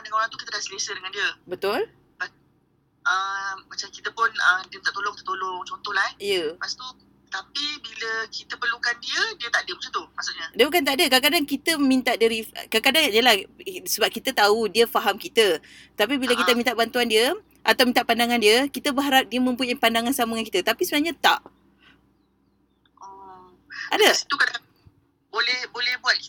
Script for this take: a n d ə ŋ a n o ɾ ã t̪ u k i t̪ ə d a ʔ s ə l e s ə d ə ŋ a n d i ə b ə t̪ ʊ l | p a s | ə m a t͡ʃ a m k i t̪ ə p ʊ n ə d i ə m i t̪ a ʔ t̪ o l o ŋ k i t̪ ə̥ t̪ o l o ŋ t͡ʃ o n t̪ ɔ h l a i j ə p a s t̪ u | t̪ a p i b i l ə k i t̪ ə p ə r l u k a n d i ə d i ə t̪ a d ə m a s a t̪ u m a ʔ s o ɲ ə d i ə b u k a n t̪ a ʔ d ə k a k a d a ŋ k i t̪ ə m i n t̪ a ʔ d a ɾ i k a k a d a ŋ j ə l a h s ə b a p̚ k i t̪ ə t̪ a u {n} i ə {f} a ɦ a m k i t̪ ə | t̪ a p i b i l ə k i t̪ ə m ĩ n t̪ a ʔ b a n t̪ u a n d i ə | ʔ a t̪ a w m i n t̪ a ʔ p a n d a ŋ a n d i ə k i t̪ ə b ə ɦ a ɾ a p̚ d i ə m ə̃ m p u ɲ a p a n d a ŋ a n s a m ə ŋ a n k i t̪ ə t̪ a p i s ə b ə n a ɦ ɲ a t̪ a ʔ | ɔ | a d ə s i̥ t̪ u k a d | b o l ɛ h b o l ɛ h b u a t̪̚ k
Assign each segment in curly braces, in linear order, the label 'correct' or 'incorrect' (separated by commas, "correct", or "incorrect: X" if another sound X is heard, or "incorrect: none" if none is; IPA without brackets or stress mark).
incorrect: d, correct